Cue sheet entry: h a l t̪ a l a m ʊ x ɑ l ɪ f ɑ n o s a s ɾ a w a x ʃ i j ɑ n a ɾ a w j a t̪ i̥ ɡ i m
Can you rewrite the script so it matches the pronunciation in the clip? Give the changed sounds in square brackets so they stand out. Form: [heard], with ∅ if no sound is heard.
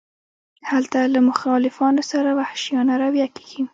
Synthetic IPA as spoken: h a l t̪ a l a m ʊ x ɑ l ɪ f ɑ n o s a [∅] ɾ a w a [h] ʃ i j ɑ n a ɾ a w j a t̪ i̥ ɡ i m